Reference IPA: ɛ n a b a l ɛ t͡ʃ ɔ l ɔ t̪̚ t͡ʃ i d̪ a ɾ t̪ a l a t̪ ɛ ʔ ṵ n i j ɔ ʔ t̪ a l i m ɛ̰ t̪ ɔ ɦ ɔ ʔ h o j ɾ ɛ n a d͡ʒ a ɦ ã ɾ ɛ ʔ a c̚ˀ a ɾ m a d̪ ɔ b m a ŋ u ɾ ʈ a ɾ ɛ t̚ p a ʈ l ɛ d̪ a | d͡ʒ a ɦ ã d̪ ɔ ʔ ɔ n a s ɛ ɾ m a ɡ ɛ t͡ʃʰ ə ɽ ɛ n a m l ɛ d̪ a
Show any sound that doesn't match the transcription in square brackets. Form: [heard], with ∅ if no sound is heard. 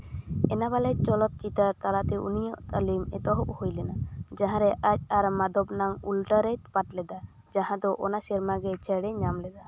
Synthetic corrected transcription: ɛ n a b a l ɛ t͡ʃ ɔ l ɔ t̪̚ t͡ʃ i [t̪] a ɾ t̪ a l a t̪ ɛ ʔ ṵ n i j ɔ ʔ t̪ a l i m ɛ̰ t̪ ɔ ɦ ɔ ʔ h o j [l] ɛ n a d͡ʒ a ɦ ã ɾ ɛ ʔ a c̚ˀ a ɾ m a d̪ ɔ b [n] a ŋ u [l] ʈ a ɾ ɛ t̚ p a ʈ l ɛ d̪ a | d͡ʒ a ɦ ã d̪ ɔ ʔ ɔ n a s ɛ ɾ m a ɡ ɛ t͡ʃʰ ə ɽ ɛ [ɲ] a m l ɛ d̪ a